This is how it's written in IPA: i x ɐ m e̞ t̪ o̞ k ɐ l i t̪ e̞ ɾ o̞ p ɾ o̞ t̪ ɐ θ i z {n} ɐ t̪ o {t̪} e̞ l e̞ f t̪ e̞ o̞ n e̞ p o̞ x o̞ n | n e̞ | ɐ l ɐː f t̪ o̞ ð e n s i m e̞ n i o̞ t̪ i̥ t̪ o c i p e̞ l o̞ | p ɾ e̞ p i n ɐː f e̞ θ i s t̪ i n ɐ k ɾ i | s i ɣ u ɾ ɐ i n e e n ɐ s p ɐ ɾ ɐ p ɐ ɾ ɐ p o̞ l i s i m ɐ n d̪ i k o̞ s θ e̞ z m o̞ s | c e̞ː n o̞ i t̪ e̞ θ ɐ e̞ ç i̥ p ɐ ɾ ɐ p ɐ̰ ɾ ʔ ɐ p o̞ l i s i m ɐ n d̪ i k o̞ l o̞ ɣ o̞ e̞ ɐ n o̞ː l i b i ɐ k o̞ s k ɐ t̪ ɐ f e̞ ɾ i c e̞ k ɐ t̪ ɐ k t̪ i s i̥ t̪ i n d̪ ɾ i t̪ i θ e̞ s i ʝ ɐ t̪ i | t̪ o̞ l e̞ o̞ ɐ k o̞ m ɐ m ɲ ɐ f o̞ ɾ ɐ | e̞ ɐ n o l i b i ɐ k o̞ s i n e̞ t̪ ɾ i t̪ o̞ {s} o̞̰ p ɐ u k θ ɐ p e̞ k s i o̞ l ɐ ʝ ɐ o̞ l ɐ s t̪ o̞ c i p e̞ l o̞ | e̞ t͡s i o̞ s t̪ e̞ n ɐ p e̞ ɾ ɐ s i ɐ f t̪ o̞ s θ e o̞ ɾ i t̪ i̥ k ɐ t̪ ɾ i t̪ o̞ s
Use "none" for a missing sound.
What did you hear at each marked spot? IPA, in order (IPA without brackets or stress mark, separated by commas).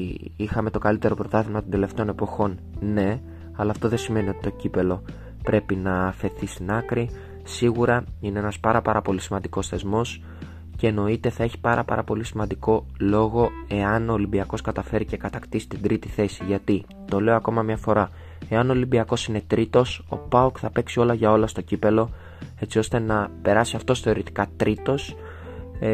m, d̪, s